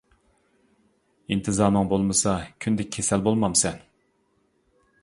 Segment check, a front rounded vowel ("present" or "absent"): present